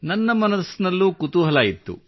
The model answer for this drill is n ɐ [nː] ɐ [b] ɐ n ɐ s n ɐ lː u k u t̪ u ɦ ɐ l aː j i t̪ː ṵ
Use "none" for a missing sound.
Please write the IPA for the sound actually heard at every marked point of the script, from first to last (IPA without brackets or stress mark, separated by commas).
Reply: nː, m